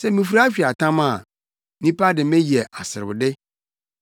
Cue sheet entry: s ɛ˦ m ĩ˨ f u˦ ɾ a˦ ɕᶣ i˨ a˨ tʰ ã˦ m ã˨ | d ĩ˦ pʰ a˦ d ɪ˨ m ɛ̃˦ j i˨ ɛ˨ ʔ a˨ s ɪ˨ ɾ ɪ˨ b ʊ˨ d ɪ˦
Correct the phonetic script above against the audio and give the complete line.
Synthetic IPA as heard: s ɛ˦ m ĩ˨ f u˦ ɾ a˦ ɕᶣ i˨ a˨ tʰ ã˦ m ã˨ | n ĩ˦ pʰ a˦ d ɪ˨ m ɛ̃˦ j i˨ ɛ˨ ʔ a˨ s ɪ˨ ɾ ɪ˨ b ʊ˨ d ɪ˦